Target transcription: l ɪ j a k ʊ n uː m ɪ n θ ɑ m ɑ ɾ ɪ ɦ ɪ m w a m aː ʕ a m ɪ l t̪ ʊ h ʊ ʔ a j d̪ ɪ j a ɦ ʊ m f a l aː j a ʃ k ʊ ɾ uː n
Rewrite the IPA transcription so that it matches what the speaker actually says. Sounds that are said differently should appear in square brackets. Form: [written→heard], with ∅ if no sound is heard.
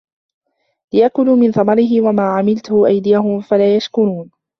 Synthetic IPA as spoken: l ɪ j a k ʊ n uː m ɪ n θ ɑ m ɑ ɾ ɪ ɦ ɪ [m→∅] w a m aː ʕ a m ɪ l t̪ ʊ h ʊ ʔ a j d̪ ɪ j a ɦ ʊ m f a l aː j a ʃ k ʊ ɾ uː n